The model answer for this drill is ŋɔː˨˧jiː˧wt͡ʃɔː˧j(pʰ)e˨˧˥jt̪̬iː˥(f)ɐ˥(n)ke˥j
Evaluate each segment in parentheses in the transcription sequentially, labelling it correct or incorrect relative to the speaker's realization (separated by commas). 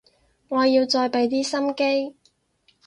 incorrect, incorrect, incorrect